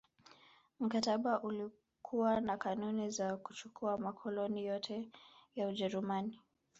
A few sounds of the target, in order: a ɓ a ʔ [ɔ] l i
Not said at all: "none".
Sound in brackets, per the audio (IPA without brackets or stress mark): u